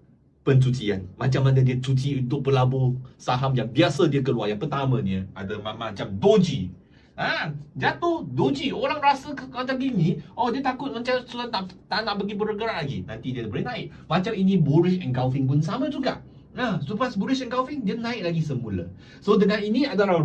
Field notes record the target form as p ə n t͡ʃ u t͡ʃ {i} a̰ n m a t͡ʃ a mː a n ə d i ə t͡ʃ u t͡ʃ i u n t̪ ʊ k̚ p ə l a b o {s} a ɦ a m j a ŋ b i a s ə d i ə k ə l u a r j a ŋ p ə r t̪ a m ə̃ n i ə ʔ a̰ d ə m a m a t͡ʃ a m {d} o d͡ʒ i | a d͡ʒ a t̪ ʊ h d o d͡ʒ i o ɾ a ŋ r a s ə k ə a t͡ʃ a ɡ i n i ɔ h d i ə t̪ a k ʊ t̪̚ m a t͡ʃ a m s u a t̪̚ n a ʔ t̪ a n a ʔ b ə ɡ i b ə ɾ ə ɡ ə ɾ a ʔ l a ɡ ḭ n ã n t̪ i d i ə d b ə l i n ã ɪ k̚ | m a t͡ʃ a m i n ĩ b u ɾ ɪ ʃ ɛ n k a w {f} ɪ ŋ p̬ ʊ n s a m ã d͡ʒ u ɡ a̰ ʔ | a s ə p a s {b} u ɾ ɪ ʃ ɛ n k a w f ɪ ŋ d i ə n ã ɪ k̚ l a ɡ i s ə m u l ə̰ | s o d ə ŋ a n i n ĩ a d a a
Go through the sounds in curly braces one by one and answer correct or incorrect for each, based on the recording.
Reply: correct, correct, correct, correct, correct

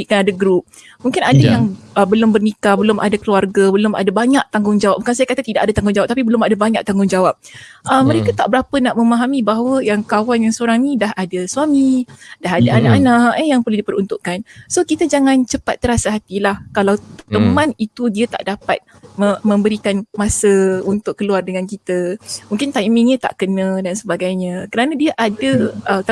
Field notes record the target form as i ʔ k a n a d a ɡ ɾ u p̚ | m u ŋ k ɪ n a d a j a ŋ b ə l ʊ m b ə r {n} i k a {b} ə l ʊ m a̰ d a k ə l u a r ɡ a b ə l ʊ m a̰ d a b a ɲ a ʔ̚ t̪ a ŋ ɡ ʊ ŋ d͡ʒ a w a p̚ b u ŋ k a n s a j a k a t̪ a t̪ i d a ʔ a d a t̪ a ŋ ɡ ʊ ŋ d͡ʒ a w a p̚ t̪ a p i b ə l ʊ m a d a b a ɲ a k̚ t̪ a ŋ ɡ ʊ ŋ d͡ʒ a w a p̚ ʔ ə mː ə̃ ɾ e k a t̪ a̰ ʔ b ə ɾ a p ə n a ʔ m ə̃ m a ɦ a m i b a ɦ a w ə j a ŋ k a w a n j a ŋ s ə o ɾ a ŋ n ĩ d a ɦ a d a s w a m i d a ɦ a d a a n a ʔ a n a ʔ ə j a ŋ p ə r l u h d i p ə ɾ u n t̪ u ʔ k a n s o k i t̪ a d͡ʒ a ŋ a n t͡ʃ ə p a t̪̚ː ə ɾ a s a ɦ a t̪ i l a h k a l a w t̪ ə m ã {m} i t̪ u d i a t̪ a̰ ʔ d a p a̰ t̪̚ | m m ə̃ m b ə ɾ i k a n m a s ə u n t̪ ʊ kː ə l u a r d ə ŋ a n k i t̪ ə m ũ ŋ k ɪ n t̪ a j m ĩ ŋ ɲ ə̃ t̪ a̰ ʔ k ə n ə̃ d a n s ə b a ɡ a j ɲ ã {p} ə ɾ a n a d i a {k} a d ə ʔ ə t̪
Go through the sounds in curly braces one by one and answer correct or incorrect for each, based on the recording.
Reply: correct, correct, incorrect: n, incorrect: k, incorrect: ʔ

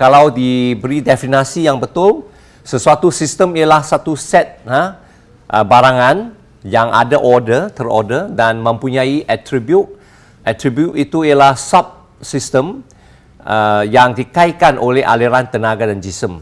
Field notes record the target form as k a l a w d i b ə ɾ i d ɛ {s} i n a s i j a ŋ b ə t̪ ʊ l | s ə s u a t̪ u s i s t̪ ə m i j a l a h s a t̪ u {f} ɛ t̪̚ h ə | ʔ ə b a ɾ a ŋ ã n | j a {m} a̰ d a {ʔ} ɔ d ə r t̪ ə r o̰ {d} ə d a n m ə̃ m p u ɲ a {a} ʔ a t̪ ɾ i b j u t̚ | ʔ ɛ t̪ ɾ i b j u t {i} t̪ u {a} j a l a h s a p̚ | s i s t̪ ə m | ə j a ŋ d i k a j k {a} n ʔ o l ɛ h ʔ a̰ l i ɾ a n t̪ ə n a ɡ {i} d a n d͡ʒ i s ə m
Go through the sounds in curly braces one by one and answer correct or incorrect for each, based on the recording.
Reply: incorrect: f, incorrect: s, incorrect: ŋ, correct, correct, incorrect: i, correct, incorrect: i, correct, incorrect: a

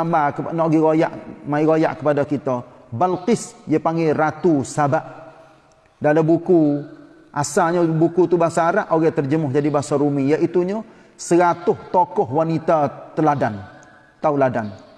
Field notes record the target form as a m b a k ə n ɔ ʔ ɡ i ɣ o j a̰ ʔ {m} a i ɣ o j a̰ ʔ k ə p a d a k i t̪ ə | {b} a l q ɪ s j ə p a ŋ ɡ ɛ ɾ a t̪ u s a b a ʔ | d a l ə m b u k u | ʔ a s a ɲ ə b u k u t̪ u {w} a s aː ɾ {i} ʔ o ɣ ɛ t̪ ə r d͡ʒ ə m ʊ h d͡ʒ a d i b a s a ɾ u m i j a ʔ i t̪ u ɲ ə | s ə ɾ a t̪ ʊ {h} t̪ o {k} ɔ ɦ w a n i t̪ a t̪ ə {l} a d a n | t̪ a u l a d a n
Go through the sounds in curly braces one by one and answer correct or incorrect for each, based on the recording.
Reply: correct, correct, incorrect: b, incorrect: a, correct, correct, correct

